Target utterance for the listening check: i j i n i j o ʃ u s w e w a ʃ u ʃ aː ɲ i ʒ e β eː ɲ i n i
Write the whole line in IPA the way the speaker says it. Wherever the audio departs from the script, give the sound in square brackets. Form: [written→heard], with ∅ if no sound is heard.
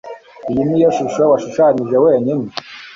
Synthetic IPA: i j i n i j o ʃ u [s→ʃ] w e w a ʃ u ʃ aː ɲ i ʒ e [β→w] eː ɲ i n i